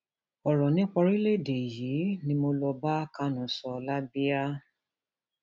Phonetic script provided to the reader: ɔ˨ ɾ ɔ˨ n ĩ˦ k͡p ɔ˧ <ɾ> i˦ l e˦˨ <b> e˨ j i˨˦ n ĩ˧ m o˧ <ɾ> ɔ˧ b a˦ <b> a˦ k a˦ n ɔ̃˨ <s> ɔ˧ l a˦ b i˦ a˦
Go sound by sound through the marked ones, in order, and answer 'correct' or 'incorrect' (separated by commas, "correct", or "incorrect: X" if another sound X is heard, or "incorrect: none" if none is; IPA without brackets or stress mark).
correct, incorrect: d, incorrect: l, incorrect: none, correct